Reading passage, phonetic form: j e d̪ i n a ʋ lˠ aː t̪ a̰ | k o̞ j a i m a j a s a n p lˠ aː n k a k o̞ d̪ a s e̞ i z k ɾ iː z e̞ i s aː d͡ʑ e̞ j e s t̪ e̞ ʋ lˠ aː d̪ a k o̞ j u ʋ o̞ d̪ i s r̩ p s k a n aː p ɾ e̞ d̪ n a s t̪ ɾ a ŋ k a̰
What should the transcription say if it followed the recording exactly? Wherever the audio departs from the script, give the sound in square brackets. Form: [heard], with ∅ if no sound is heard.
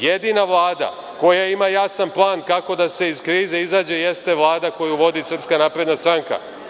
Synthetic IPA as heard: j e d̪ i n a ʋ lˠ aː [d̪] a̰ | k o̞ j a i m a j a s a n p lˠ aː n k a k o̞ d̪ a s e̞ i z k ɾ iː z e̞ i [z] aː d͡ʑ e̞ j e s t̪ e̞ ʋ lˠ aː d̪ a k o̞ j u ʋ o̞ d̪ i s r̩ p s k a n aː p ɾ e̞ d̪ n a s t̪ ɾ a ŋ k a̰

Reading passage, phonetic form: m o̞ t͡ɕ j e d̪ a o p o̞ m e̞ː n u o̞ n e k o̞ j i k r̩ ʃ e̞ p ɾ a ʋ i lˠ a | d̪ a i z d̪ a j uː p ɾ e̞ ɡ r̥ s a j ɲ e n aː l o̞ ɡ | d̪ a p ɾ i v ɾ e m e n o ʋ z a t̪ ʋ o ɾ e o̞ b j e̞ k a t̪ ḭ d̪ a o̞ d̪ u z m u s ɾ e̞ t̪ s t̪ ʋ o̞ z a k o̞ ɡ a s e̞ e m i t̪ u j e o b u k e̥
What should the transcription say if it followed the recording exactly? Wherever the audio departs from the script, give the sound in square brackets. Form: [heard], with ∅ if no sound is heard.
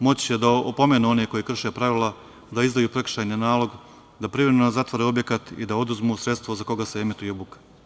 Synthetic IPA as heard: m o̞ t͡ɕ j e d̪ a o p o̞ m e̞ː n u o̞ n e k o̞ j i k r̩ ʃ e̞ p ɾ a ʋ i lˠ a | d̪ a i z d̪ a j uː p ɾ e̞ [k] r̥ [ʃ] a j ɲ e n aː l o̞ ɡ | d̪ a p ɾ i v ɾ e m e n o [∅] z a t̪ ʋ o ɾ e o̞ b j e̞ k a t̪ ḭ d̪ a o̞ d̪ u z m u s ɾ e̞ t̪ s t̪ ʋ o̞ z a k o̞ ɡ a s e̞ e m i t̪ u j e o b u k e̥

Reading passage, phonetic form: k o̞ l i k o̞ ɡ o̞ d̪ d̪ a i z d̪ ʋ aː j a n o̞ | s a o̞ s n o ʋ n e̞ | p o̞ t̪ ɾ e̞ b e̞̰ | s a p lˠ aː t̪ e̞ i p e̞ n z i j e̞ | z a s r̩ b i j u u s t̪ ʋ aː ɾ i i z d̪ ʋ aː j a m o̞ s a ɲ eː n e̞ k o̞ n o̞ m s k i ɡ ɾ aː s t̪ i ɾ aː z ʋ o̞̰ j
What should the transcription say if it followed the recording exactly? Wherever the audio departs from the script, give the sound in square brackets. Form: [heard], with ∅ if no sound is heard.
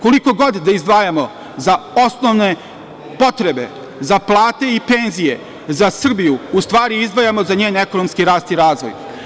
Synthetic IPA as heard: k o̞ l i k o̞ ɡ o̞ d̪ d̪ a i z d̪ ʋ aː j a [m] o̞ | [z] a o̞ s n o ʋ n e̞ | p o̞ t̪ ɾ e̞ b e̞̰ | [z] a p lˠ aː t̪ e̞ i p e̞ n z i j e̞ | z a s r̩ b i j u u s t̪ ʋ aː ɾ i i z d̪ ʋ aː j a m o̞ [z] a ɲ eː n e̞ k o̞ n o̞ m s k i [∅] ɾ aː s t̪ i ɾ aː z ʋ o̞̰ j

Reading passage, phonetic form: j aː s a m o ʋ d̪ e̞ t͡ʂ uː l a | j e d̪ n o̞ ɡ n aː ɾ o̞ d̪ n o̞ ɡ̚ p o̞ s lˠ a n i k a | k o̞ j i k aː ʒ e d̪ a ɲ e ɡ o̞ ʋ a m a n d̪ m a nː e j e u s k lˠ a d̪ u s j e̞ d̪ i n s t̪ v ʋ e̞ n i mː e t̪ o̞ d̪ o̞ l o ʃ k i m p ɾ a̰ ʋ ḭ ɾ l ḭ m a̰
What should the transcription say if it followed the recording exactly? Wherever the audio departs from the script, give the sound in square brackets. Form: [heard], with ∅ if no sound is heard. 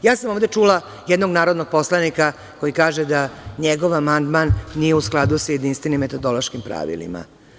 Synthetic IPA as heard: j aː s a m o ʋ d̪ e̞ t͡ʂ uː l a | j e d̪ n o̞ ɡ n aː ɾ o̞ d̪ n o̞ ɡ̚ p o̞ s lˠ a n i k a | k o̞ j i k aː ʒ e d̪ a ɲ e ɡ o̞ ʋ a m a n d̪ m a nː [i] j e u s k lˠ a d̪ u s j e̞ d̪ i n s t̪ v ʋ e̞ n i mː e t̪ o̞ d̪ o̞ l o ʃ k i m p ɾ a̰ ʋ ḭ [∅] l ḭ m a̰

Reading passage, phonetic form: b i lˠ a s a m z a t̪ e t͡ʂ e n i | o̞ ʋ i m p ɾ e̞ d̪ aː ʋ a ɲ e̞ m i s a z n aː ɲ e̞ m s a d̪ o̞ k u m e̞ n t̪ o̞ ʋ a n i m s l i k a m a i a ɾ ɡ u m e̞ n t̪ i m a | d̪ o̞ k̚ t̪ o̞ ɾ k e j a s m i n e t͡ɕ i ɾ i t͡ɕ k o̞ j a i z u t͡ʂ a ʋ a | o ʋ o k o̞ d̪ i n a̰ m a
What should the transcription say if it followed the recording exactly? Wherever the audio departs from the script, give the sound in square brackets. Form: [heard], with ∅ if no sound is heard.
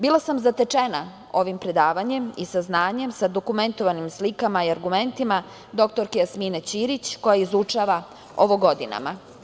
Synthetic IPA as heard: b i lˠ a s a m z a t̪ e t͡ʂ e n [a] | o̞ ʋ i m p ɾ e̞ d̪ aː ʋ a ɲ e̞ m i s a z n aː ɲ e̞ m s a d̪ o̞ k u m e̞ n t̪ o̞ ʋ a n i m s l i k a m a i a ɾ ɡ u m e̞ n t̪ i m a | d̪ o̞ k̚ t̪ o̞ ɾ k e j a s m i n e t͡ɕ i ɾ i t͡ɕ k o̞ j a i z u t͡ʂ a ʋ a | o ʋ o [ɡ] o̞ d̪ i n a̰ m a

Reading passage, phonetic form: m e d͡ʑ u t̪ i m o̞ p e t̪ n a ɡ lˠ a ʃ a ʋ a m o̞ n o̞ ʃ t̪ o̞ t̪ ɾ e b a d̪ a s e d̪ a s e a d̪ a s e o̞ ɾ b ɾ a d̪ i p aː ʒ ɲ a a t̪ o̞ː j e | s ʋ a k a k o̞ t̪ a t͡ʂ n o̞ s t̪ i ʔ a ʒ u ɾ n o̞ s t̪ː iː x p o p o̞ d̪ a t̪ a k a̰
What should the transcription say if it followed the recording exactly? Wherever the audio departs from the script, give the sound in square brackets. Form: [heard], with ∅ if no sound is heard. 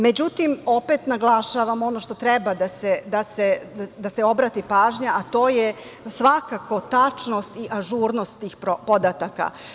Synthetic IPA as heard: m e d͡ʑ u t̪ i m o̞ p e t̪ n a ɡ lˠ a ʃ a ʋ a m o̞ n o̞ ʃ t̪ o̞ t̪ ɾ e b a d̪ a s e d̪ a s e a d̪ a s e o̞ [∅] b ɾ a [t̪] i p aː ʒ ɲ a a t̪ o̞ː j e | s ʋ a k a k o̞ t̪ a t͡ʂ n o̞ s t̪ i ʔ a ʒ u ɾ n o̞ s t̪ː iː x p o p o̞ d̪ a t̪ a k a̰

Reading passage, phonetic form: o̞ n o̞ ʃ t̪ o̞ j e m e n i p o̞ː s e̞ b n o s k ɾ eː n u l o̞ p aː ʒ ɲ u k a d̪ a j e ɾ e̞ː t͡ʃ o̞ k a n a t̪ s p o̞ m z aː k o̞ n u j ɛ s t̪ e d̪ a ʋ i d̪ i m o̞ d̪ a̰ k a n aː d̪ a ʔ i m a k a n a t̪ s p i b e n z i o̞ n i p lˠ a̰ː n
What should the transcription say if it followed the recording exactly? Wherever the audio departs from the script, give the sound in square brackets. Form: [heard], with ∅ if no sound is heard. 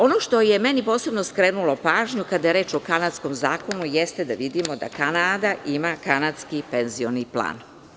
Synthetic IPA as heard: o̞ n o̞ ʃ t̪ o̞ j e m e n i p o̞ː s e̞ b n o s k ɾ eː n u l o̞ p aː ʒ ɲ u k a d̪ a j e ɾ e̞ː t͡ʃ o̞ k a n a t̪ s [k] o̞ m z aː k o̞ n u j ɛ s t̪ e d̪ a ʋ i d̪ i m o̞ d̪ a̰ k a n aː d̪ a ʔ i m a k a n a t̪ s [k] i [p] e n z i o̞ n i p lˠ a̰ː n

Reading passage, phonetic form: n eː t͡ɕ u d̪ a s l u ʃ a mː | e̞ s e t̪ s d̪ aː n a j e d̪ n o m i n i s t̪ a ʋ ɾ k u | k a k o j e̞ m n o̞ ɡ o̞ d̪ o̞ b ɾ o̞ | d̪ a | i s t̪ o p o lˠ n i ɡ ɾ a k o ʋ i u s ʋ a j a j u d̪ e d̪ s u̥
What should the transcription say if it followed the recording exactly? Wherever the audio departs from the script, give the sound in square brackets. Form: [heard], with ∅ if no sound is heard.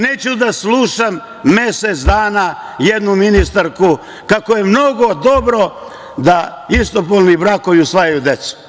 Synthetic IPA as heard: n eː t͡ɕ u d̪ a s l u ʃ a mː | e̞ s e t̪ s d̪ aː n a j e d̪ n [u] m i n i s t̪ a [∅] ɾ k u | k a k o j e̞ m n o̞ ɡ o̞ d̪ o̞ b ɾ o̞ | d̪ a | i s t̪ o p o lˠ n i [b] ɾ a k o ʋ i u s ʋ a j a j u d̪ e [t̪] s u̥

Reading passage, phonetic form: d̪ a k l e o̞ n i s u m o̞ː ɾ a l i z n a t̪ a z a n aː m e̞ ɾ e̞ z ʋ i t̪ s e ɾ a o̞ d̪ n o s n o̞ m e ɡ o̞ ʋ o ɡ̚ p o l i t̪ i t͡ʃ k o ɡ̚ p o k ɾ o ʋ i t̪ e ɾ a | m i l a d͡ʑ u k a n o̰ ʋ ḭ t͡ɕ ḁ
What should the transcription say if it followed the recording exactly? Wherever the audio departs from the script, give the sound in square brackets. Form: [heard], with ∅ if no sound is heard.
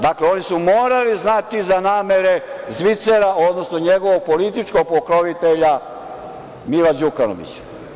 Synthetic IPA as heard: d̪ a k l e o̞ n i s u m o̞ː ɾ a l i z n a t̪ [i] z a n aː m e̞ ɾ e̞ z ʋ i t̪ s e ɾ a o̞ d̪ n o s n o̞ [ɲ] e ɡ o̞ ʋ o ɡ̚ p o l i t̪ i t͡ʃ k o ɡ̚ p o k ɾ o ʋ i t̪ e [ʎ] a | m i l a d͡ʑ u k a n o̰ ʋ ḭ t͡ɕ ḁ

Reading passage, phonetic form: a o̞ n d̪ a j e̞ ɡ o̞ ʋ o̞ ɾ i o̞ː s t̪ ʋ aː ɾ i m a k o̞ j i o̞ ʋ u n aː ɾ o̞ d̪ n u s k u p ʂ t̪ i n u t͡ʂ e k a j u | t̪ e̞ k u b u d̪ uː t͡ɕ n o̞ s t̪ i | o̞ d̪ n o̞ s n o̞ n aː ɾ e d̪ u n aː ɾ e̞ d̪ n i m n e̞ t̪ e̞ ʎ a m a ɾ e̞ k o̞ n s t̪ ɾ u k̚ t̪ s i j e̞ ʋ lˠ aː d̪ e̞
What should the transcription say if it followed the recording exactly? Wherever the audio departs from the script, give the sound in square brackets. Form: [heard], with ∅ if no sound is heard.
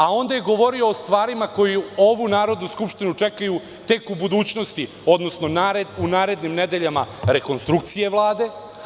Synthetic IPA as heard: a o̞ n d̪ a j e̞ ɡ o̞ ʋ o̞ ɾ i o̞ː s t̪ ʋ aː ɾ i m a k o̞ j i o̞ ʋ u n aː ɾ o̞ d̪ n u s k u p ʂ t̪ i n u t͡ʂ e k a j u | t̪ e̞ k u b u d̪ uː t͡ɕ n o̞ s t̪ i | o̞ d̪ n o̞ s n o̞ n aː ɾ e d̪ u n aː ɾ e̞ d̪ n i m n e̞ [d̪] e̞ ʎ a m a ɾ e̞ k o̞ n s t̪ ɾ u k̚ t̪ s i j e̞ ʋ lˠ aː d̪ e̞

